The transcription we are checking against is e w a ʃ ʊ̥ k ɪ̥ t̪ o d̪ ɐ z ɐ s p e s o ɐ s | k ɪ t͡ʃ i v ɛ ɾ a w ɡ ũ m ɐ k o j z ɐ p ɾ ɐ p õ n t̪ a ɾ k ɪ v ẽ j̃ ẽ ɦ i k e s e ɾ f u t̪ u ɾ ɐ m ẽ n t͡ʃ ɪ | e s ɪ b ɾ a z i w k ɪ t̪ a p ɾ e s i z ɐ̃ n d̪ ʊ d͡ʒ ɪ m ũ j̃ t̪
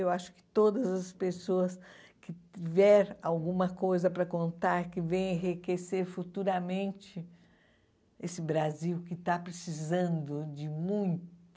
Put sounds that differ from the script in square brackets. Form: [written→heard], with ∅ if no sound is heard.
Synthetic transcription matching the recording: e w a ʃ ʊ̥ k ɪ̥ t̪ o d̪ ɐ z ɐ s p e s o ɐ s | k ɪ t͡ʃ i v ɛ ɾ a w ɡ ũ m ɐ k o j z ɐ p ɾ ɐ [p→k] õ n t̪ a ɾ k ɪ v ẽ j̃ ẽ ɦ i k e s e ɾ f u t̪ u ɾ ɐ m ẽ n t͡ʃ ɪ | e s ɪ b ɾ a z i w k ɪ t̪ a p ɾ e s i z ɐ̃ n d̪ ʊ d͡ʒ ɪ m ũ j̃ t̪